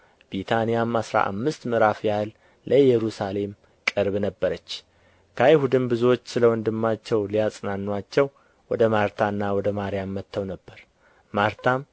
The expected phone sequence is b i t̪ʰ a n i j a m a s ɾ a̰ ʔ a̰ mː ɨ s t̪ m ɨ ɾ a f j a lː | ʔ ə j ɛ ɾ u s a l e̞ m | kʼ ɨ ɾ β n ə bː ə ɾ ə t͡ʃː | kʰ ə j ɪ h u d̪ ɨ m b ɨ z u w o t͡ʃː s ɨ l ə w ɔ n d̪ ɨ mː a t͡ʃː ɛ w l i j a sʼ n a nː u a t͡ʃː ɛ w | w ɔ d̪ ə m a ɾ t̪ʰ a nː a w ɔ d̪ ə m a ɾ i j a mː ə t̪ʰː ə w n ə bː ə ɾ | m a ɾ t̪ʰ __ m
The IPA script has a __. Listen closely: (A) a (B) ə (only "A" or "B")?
A